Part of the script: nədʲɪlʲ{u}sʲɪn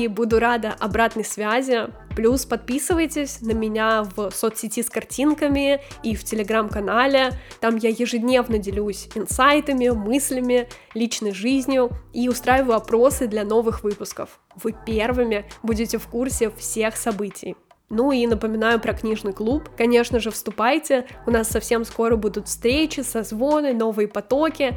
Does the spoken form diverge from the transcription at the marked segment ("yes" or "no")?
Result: no